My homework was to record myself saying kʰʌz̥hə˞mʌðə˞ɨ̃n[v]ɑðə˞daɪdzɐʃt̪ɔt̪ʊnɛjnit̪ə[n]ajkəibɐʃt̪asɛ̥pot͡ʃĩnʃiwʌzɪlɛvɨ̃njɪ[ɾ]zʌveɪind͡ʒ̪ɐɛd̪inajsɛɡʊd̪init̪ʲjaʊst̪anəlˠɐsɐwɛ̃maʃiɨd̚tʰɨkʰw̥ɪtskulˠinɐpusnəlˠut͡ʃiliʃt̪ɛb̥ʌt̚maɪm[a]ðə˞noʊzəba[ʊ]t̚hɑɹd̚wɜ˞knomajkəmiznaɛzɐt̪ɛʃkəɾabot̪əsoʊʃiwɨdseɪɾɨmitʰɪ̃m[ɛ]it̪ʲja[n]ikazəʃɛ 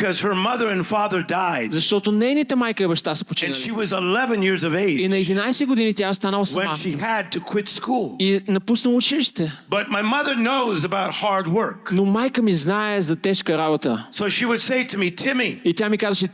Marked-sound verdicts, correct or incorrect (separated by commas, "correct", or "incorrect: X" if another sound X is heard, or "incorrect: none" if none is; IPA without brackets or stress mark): incorrect: f, incorrect: m, incorrect: ɹ, incorrect: ʌ, correct, incorrect: i, incorrect: m